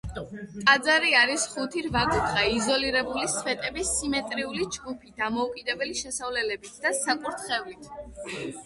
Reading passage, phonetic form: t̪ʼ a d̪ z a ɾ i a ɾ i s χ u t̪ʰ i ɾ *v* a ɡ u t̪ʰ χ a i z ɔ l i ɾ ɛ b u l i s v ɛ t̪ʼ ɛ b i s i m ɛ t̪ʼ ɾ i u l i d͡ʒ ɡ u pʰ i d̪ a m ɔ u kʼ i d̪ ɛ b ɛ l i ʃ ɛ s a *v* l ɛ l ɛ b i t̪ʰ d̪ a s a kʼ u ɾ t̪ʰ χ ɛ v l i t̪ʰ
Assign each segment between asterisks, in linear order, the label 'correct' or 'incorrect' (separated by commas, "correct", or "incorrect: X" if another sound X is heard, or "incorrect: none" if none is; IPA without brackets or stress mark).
correct, correct